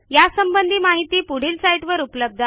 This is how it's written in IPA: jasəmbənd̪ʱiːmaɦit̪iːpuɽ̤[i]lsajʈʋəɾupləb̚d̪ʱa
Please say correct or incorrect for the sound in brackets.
incorrect